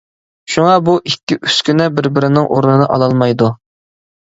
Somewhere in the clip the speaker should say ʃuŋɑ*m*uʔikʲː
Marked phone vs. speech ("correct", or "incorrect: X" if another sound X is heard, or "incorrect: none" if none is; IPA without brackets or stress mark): incorrect: b